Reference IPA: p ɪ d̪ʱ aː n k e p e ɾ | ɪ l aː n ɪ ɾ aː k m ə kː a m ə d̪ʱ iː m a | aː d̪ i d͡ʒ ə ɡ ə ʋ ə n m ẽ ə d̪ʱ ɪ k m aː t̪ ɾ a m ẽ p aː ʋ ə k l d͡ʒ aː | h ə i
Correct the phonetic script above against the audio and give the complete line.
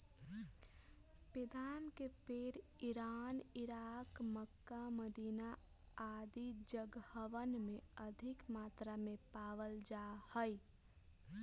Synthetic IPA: p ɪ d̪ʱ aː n k e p e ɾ | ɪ ɾ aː n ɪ ɾ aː k m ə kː a m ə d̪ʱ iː n a | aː d̪ i d͡ʒ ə ɡ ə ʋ ə n m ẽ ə d̪ʱ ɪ k m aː t̪ ɾ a m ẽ p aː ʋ ə l d͡ʒ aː | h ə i